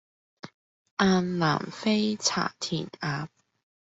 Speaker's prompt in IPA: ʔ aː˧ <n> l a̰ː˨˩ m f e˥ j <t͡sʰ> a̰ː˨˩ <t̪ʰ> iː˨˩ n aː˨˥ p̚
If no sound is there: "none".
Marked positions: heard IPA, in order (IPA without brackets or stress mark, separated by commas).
n, t͡sʰ, t̪ʰ